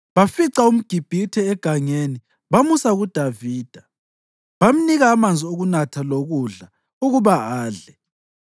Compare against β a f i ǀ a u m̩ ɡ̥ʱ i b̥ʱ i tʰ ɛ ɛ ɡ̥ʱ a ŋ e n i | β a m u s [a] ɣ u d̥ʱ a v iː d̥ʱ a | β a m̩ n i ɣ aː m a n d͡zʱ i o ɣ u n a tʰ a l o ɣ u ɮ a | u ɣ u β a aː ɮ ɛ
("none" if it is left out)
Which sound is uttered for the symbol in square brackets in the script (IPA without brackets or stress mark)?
a